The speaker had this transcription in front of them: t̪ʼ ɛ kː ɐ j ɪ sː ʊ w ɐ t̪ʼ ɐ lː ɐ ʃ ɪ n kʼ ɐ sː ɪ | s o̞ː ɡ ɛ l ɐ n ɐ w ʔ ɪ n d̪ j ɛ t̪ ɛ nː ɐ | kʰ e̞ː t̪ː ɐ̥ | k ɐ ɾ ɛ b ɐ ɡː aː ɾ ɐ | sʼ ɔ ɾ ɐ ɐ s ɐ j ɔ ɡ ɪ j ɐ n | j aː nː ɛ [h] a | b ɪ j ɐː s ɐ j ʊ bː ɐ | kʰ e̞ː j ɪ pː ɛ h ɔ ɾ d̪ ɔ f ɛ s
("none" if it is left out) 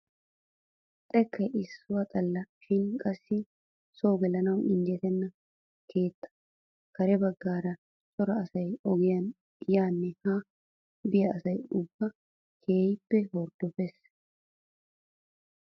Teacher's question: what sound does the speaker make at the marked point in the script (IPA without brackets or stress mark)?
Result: h